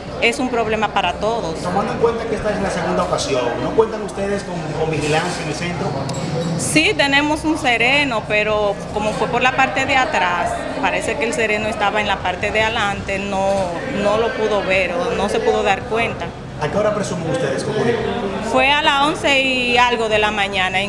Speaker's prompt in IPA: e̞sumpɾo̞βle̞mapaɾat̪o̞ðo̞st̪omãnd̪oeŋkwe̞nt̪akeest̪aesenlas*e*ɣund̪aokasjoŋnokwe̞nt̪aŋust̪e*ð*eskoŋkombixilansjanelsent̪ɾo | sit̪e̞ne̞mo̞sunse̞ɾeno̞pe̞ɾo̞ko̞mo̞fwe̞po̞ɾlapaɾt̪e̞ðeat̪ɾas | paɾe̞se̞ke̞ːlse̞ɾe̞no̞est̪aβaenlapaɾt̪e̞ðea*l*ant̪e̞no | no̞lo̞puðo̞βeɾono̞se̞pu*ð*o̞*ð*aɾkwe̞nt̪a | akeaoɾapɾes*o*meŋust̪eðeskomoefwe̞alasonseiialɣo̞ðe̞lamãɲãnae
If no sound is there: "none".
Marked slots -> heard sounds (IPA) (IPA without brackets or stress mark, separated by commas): e, ð, l, ð, ð, u